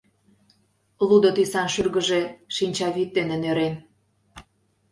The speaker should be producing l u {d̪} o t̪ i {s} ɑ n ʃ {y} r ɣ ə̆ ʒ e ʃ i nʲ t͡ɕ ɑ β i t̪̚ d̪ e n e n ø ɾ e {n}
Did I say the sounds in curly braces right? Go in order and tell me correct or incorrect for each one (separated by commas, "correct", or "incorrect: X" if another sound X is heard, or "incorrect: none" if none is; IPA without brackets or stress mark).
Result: correct, correct, correct, correct